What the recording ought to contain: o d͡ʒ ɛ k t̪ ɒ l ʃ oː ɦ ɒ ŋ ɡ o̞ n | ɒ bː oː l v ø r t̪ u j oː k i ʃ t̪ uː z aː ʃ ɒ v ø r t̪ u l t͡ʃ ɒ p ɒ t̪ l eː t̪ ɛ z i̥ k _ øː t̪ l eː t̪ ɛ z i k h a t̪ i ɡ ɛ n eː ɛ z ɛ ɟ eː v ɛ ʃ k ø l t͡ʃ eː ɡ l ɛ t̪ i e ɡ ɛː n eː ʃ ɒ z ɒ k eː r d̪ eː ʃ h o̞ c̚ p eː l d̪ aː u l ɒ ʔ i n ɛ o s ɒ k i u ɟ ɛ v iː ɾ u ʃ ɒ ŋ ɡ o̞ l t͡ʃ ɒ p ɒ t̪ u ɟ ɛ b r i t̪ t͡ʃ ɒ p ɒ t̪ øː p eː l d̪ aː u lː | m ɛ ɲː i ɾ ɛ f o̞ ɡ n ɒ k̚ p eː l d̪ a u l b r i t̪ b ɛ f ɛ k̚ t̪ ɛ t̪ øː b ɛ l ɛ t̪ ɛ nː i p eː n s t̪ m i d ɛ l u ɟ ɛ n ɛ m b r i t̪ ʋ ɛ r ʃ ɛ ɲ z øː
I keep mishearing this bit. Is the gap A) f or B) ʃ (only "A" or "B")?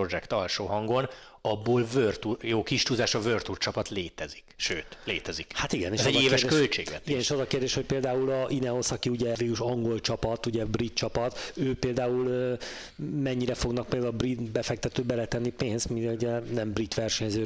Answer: B